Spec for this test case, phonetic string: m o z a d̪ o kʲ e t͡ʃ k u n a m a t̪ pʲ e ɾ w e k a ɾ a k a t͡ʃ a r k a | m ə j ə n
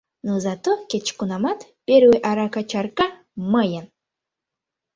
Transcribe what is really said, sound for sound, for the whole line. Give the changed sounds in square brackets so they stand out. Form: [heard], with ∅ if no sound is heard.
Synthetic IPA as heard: [n] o z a [t̪] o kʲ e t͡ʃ k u n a m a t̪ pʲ e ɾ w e [ʔ] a ɾ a k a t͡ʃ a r k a | m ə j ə n